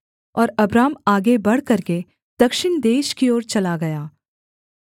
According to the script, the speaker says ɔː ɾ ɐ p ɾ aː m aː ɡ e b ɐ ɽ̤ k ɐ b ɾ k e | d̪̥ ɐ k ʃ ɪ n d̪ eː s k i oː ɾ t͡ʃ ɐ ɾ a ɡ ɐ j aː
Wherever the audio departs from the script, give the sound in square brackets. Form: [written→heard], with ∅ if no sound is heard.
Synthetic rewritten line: ɔː ɾ ɐ [p→b] ɾ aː m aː ɡ e b ɐ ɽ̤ k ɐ [b→∅] ɾ k e | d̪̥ ɐ k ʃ ɪ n d̪ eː [s→ʃ] k i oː ɾ t͡ʃ ɐ [ɾ→l] a ɡ ɐ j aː

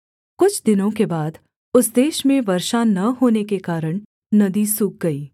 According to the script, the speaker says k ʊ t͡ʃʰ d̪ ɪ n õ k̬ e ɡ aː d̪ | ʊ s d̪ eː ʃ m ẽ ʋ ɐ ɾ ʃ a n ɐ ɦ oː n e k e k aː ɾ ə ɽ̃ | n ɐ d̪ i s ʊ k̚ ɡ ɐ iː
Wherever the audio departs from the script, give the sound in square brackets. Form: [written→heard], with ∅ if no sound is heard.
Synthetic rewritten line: k ʊ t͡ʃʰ d̪ ɪ n õ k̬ e [ɡ→b] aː d̪ | ʊ s d̪ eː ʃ m ẽ ʋ ɐ ɾ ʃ a n ɐ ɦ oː n e k e k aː ɾ ə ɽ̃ | n ɐ d̪ i s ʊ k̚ ɡ ɐ iː

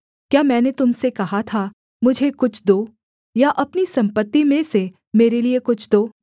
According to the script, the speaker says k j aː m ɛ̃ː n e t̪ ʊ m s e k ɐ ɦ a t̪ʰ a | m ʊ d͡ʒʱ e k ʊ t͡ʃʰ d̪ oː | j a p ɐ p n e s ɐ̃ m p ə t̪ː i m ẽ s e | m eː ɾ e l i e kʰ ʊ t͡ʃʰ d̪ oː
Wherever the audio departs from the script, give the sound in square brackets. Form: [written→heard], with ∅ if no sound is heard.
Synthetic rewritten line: k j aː m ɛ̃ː n e t̪ ʊ m s e k ɐ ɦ a t̪ʰ a | m ʊ d͡ʒʱ e k ʊ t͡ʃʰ d̪ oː | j a [p→ʔ] ɐ p n [e→i] s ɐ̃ m p ə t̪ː i m ẽ s e | m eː ɾ e l i e [kʰ→k] ʊ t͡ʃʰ d̪ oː

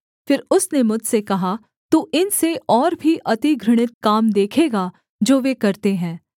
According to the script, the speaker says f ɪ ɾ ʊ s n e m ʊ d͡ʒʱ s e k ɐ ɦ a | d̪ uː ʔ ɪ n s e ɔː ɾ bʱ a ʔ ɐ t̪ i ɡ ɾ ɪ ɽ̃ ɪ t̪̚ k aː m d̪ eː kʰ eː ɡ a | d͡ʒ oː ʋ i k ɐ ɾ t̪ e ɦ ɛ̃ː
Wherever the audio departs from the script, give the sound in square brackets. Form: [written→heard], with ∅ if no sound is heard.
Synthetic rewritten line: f ɪ ɾ ʊ s n e m ʊ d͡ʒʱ s e k ɐ ɦ a | [d̪→t̪] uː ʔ ɪ n s e ɔː ɾ bʱ [a→i] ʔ ɐ t̪ i ɡ ɾ ɪ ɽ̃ ɪ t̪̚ k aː m d̪ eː kʰ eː ɡ a | d͡ʒ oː ʋ [i→e] k ɐ ɾ t̪ e ɦ ɛ̃ː

